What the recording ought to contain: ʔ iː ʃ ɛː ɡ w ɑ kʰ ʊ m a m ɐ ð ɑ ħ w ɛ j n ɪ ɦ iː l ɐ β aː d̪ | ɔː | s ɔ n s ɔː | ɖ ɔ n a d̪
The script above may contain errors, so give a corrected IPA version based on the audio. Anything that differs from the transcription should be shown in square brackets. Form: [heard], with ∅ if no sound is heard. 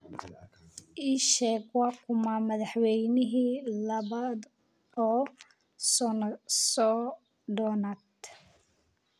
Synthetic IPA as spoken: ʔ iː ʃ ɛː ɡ w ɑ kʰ ʊ m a m ɐ ð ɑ ħ w ɛ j n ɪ ɦ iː l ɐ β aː d̪ | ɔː | s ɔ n s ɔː | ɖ ɔ n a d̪